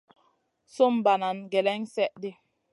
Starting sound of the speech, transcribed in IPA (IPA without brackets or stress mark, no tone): s